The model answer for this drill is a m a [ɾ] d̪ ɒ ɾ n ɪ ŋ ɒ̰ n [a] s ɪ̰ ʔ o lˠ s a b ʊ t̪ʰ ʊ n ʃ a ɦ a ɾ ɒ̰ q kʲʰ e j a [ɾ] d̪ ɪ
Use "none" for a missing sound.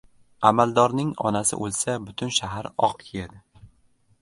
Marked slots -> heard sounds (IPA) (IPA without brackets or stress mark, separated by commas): l, a, none